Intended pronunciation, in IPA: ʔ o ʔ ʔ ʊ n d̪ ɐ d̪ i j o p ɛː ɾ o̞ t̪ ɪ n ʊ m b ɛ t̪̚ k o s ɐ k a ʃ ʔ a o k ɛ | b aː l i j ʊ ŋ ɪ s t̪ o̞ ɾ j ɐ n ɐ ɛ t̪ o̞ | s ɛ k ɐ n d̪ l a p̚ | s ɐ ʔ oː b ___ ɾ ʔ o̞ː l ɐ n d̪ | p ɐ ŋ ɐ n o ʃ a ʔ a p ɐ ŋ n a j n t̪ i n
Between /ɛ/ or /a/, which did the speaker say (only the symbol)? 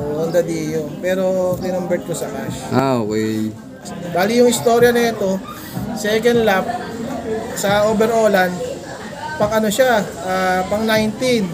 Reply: ɛ